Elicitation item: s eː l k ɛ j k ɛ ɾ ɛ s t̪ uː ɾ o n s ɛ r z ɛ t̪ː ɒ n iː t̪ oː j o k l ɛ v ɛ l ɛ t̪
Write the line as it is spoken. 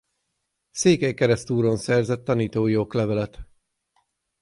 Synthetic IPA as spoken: s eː k ɛ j k ɛ ɾ ɛ s t̪ uː ɾ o n s ɛ r z ɛ t̪ː ɒ n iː t̪ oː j o k l ɛ v ɛ l ɛ t̪